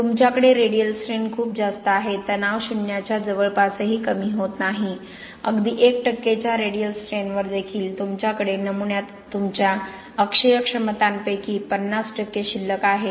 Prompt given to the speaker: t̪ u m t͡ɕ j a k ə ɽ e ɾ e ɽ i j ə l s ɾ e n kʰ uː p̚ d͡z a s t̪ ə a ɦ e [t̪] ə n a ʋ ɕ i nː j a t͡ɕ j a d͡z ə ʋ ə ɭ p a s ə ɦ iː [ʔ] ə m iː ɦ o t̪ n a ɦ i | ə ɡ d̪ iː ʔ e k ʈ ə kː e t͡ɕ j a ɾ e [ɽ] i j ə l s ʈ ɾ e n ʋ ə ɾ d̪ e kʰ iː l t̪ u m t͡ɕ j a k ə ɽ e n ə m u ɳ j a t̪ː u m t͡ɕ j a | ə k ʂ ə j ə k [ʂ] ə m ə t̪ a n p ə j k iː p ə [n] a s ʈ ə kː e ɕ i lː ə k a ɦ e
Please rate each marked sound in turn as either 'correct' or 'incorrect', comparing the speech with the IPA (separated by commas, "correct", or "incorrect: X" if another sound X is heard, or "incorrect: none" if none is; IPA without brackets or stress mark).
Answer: correct, incorrect: k, correct, correct, incorrect: nː